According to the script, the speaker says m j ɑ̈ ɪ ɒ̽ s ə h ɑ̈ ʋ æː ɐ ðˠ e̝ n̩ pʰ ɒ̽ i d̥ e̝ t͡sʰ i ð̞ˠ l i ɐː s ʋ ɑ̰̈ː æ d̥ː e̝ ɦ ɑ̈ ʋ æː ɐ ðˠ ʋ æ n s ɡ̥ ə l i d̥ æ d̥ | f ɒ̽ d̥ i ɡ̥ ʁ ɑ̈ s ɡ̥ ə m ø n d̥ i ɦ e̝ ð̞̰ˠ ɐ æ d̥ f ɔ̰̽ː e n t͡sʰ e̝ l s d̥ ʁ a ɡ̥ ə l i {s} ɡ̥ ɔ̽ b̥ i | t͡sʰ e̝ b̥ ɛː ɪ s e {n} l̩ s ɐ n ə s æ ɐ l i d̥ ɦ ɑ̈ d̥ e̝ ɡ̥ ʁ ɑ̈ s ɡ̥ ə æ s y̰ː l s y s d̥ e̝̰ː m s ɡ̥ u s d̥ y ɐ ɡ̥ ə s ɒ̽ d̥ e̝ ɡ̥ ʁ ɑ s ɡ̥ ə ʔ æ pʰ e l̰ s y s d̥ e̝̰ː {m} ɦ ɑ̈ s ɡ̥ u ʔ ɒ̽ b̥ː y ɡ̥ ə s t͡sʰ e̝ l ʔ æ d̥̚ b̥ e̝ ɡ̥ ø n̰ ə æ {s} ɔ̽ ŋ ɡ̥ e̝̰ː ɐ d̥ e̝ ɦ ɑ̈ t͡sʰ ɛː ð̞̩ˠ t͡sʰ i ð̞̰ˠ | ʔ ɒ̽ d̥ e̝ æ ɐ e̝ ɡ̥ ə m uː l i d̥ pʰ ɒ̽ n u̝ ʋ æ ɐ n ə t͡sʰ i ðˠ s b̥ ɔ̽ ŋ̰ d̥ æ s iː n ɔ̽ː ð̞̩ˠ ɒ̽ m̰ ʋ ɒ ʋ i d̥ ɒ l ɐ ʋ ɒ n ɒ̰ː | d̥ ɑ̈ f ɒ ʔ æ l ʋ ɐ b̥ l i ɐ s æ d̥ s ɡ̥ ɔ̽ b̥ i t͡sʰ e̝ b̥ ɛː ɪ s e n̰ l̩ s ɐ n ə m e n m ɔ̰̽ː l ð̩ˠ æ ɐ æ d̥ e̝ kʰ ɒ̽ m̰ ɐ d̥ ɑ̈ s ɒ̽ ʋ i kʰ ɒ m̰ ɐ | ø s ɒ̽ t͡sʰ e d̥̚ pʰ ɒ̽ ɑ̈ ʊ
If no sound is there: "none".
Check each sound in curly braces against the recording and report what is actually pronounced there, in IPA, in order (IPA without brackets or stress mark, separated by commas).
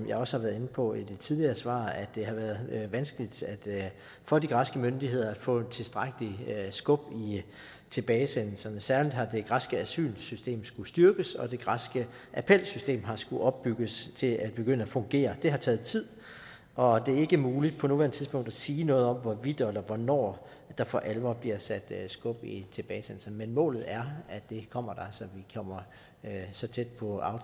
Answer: s, n, m, f